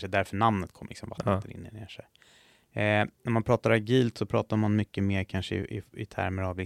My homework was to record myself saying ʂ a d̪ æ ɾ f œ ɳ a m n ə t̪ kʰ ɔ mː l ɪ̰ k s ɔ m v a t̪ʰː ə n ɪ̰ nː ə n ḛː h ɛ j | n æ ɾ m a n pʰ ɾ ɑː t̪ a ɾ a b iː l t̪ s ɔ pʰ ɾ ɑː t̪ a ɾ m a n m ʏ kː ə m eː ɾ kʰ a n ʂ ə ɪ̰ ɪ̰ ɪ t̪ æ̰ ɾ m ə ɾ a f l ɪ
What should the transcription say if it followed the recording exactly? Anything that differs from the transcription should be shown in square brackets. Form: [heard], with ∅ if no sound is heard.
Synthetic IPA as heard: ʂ [ɛ] d̪ æ ɾ f œ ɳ a m n ə t̪ kʰ ɔ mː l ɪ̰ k s ɔ m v a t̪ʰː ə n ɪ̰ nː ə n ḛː [ʂ] ɛ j | n æ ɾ m a n pʰ ɾ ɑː t̪ a ɾ a [ɡ] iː l t̪ s ɔ pʰ ɾ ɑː t̪ a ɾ m a n m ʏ kː ə m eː ɾ kʰ a n ʂ ə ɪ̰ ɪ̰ ɪ [t̪ʰ] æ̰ ɾ m ə ɾ a [v] l ɪ